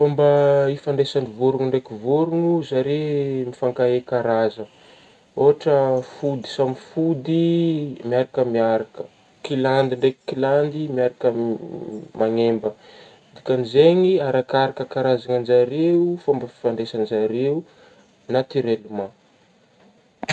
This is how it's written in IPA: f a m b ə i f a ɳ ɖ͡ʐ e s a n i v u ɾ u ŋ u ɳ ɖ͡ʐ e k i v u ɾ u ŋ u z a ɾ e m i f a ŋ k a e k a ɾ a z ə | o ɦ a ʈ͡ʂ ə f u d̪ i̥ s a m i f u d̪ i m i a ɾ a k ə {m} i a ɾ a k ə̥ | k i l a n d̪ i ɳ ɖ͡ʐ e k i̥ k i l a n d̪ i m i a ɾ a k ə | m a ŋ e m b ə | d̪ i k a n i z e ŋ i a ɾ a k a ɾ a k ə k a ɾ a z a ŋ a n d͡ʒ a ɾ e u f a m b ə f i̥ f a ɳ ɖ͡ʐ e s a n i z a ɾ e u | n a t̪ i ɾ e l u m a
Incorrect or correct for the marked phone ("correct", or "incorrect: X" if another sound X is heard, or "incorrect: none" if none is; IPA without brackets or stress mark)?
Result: correct